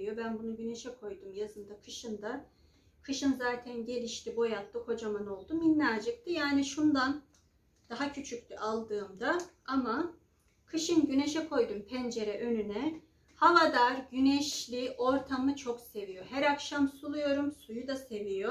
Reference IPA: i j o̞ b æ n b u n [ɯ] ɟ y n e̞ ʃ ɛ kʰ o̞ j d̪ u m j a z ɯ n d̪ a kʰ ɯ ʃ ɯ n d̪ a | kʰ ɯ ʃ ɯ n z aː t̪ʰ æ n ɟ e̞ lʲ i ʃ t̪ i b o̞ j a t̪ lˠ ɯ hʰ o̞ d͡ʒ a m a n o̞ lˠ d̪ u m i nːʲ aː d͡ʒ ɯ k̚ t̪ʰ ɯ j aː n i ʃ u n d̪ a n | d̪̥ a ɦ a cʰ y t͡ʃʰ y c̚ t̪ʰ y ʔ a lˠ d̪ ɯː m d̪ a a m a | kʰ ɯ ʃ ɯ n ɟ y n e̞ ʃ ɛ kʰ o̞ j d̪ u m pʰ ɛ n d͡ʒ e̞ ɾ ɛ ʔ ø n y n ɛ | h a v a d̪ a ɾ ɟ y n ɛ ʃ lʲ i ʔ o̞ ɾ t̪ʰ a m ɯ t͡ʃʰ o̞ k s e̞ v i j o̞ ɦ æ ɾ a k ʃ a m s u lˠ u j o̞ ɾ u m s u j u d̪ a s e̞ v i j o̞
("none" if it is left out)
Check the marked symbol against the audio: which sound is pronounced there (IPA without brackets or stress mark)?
u